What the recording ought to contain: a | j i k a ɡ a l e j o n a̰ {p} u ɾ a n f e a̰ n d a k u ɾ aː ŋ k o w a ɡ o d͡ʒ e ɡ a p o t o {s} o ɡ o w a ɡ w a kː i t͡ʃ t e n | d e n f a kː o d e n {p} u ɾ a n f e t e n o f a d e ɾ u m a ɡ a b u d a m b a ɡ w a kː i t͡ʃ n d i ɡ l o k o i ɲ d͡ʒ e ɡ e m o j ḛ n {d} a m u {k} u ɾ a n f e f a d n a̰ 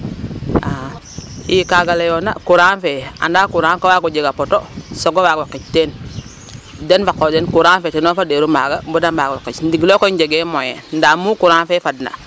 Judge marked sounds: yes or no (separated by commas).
no, yes, no, yes, yes